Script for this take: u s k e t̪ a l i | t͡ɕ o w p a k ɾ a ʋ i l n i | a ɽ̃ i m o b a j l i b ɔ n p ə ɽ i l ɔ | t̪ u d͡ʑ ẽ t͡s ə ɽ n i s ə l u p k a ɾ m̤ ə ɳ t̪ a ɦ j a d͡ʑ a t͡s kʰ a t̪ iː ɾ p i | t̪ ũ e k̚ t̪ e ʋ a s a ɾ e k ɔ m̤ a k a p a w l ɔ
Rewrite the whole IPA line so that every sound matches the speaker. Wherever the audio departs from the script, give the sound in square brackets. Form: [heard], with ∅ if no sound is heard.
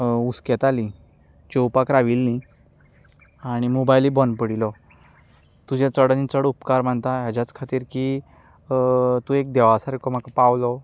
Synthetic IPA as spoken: u s k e t̪ a l i | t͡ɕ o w p a k ɾ a ʋ i l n i | a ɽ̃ i m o b a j l i b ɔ n p ə ɽ i l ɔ | t̪ u d͡ʑ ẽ t͡s ə ɽ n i [t͡s] ə [ɽ] u p k a ɾ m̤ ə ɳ t̪ a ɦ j a d͡ʑ a t͡s kʰ a t̪ iː ɾ [k] i | t̪ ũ e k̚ [d̪] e ʋ a s a ɾ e k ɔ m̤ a k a p a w l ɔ